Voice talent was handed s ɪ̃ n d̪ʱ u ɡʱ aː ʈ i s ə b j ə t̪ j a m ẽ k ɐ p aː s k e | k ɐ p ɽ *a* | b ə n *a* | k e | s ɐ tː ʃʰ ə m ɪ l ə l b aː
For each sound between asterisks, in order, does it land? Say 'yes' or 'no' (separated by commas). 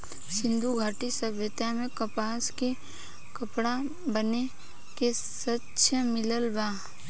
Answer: yes, no